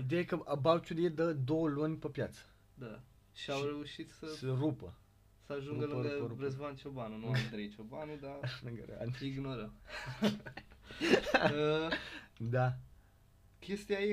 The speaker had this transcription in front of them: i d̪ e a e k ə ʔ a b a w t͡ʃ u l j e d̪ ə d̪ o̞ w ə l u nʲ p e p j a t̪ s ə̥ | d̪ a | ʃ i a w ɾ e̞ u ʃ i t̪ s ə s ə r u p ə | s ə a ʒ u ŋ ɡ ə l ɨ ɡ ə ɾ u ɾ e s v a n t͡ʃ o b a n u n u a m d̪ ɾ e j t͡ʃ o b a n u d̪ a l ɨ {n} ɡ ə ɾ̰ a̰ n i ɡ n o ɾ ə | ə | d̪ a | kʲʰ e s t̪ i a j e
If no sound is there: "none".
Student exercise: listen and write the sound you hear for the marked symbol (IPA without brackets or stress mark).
ŋ